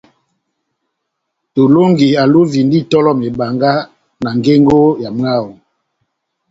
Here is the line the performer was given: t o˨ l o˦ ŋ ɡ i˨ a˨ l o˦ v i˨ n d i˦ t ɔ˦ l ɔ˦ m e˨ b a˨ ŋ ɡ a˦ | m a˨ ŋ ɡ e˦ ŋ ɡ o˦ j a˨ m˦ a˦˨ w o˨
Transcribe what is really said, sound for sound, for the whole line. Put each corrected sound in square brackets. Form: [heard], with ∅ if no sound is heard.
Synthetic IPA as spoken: t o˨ l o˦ ŋ ɡ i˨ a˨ l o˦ v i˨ n d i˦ t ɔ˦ l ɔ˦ m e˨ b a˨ ŋ ɡ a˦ | [n] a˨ ŋ ɡ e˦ ŋ ɡ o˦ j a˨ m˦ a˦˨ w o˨